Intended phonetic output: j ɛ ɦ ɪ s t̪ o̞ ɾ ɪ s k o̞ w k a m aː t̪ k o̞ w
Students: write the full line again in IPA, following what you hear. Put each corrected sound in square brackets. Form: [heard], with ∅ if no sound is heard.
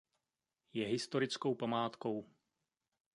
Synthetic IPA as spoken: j ɛ ɦ ɪ s t̪ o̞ ɾ ɪ [t͡s] k o̞ w [p] a m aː t̪ k o̞ w